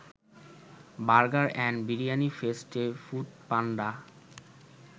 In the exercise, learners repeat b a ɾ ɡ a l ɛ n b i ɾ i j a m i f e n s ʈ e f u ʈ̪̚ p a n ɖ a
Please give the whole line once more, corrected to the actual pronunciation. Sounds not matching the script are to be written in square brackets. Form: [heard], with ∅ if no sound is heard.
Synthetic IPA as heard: b a ɾ ɡ a [ɾ] ɛ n b i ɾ i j a [n] i f e [∅] s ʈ e f u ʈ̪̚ p a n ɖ a